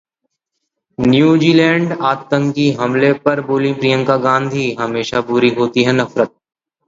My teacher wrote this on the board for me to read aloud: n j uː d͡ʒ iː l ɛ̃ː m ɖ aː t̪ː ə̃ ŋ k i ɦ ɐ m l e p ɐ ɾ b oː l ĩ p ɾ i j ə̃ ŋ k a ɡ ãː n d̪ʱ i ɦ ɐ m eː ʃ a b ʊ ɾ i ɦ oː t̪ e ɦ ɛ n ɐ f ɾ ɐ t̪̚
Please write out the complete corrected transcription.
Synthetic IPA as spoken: n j uː d͡ʒ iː l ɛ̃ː ɳ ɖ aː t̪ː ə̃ ŋ k i ɦ ɐ m l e p ɐ ɾ b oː l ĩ p ɾ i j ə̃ ŋ k a ɡ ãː n d̪ʱ i ɦ ɐ m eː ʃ a b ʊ ɾ i ɦ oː t̪ i ɦ ɛ n ɐ f ɾ ə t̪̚